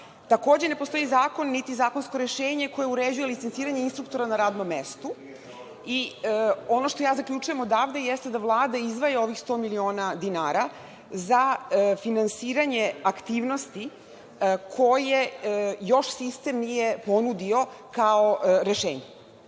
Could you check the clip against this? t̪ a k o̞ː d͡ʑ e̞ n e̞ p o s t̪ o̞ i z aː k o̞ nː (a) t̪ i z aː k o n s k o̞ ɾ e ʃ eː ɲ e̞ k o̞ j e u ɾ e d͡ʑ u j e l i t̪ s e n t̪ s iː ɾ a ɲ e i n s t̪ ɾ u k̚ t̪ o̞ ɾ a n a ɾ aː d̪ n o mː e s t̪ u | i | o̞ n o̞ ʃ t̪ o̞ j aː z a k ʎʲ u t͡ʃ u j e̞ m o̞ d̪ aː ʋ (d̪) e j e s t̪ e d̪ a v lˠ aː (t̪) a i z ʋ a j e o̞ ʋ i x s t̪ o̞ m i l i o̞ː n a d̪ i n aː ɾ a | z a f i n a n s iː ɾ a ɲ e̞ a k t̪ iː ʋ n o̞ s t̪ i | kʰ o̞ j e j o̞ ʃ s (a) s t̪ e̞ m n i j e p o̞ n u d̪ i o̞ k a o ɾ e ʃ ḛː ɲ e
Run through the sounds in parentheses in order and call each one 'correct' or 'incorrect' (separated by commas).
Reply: incorrect, correct, incorrect, incorrect